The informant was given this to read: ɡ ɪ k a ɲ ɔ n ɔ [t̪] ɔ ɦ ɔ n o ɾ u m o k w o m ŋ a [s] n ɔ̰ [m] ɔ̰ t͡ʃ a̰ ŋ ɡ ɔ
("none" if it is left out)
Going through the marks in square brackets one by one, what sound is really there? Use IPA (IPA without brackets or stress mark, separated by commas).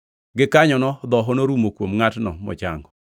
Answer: d̪, t, m